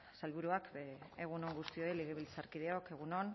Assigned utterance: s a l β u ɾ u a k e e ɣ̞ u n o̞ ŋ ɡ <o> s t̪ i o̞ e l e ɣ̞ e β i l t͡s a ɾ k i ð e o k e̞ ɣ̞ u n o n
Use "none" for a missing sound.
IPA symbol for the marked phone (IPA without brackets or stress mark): u